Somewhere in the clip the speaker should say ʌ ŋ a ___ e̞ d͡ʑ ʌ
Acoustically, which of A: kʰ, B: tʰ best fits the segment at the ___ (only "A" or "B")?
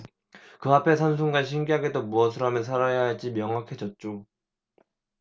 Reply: A